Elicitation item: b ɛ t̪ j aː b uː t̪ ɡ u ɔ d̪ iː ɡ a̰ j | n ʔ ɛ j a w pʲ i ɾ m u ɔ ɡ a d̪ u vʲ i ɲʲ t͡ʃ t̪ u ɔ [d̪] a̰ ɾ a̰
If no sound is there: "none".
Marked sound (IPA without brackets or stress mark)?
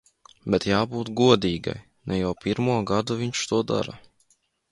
d̪